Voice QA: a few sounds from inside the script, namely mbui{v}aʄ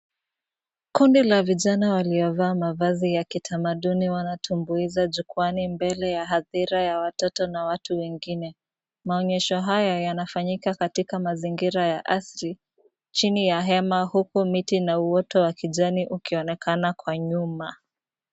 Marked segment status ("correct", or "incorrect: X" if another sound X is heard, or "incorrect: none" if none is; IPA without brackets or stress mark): incorrect: z